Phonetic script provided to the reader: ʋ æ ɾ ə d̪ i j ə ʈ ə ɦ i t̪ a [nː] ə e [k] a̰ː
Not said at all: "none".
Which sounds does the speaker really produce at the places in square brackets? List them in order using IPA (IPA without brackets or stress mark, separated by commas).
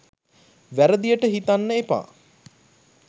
nː, p